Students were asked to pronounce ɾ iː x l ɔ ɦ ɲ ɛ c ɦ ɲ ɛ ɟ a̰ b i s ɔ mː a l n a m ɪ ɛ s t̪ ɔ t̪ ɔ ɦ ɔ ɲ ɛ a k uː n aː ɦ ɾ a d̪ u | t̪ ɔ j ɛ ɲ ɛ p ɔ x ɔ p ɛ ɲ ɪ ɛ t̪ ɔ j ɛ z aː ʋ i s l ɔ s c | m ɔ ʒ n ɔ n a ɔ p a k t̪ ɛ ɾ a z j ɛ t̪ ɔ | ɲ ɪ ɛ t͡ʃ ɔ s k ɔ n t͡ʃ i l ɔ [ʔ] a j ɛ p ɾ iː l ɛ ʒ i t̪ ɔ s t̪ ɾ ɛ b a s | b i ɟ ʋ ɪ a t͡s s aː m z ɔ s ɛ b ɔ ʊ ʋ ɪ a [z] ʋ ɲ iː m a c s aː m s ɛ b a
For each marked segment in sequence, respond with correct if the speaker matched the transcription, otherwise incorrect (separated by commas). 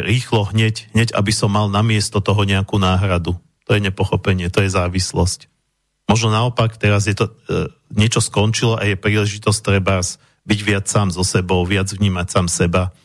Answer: correct, incorrect